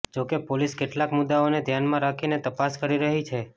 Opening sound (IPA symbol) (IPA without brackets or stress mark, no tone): d͡ʒ